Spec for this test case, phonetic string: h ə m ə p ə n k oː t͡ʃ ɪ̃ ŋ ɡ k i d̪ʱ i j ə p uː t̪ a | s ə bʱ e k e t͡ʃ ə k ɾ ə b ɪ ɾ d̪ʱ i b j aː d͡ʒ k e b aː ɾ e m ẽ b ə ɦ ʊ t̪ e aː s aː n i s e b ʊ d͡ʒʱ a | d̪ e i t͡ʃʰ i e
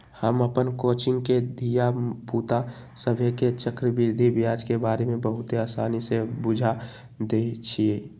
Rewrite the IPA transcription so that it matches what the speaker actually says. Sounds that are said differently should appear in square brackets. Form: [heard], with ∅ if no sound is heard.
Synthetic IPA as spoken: h ə m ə p ə n k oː t͡ʃ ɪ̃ ŋ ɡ k [e] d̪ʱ i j [a] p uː t̪ a | s ə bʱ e k e t͡ʃ ə k ɾ ə b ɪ ɾ d̪ʱ i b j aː d͡ʒ k e b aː ɾ e m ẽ b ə ɦ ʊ t̪ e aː s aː n i s e b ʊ d͡ʒʱ a | d̪ e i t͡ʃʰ i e